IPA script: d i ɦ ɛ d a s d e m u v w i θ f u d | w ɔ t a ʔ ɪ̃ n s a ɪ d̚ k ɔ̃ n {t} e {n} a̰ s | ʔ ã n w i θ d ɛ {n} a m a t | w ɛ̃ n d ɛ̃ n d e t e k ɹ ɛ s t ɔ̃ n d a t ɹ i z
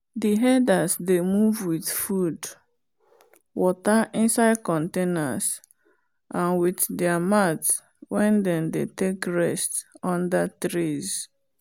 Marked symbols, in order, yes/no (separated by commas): yes, yes, no